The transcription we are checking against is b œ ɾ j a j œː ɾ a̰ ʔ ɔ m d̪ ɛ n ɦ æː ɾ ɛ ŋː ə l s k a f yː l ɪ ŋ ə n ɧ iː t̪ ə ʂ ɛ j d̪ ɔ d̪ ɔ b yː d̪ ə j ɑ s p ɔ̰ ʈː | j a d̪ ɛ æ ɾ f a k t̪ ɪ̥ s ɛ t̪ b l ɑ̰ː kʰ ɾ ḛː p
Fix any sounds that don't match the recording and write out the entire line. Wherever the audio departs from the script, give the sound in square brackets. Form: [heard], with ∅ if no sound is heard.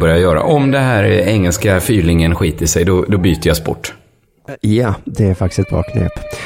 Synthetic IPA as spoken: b œ ɾ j a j œː ɾ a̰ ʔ ɔ m d̪ ɛ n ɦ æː ɾ ɛ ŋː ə l s k a f yː l ɪ ŋ ə n ɧ iː t̪ ə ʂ ɛ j d̪ ɔ d̪ ɔ b yː [t̪] ə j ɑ s p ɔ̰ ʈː | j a d̪ ɛ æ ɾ f a k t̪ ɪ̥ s ɛ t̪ b [ɾ] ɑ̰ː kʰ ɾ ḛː p